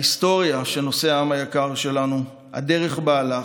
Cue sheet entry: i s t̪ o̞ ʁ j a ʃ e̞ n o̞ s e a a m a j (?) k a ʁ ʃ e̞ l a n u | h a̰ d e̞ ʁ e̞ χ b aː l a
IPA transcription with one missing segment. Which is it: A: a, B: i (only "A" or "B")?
A